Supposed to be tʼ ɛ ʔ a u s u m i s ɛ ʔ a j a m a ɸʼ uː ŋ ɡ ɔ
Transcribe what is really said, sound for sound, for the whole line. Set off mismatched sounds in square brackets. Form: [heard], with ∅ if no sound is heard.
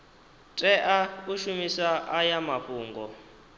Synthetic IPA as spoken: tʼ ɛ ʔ a u [ʃ] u m i s [a] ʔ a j a m a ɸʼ uː ŋ ɡ ɔ